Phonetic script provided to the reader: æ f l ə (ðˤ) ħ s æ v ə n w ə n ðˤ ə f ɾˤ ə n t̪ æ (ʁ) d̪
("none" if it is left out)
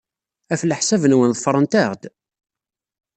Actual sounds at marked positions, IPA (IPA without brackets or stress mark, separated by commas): none, ʁ